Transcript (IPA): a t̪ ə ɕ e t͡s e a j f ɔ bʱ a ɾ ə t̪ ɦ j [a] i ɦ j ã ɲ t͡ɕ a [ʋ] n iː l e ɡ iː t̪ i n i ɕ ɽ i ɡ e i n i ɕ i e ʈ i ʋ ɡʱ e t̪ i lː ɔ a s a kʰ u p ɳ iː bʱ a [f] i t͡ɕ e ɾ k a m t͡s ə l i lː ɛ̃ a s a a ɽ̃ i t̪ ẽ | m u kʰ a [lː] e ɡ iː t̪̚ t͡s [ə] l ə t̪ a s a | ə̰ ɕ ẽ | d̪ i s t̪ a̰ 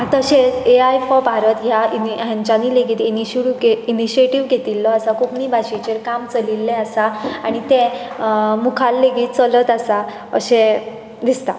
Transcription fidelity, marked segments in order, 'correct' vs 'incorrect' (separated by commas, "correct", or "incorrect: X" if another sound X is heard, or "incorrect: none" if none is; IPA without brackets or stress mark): correct, incorrect: none, incorrect: ɕ, correct, correct